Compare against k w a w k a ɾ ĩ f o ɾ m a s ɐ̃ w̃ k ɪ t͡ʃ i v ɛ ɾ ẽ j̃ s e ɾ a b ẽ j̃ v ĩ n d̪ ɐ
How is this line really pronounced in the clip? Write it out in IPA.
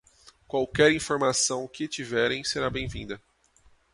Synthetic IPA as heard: k w a w k ɛ ɾ ĩ f o ɾ m a s ɐ̃ w̃ k ɪ t͡ʃ i v ɛ ɾ ẽ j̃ s e ɾ a b ẽ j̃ v ĩ n d̪ ɐ